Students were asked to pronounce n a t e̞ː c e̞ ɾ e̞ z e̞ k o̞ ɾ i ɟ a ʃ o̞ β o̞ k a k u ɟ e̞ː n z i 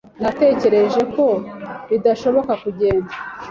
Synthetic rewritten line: n a t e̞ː c e̞ ɾ e̞ ʒ e̞ k o̞ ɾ i d a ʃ o̞ β o̞ k a k u ɟ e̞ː n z a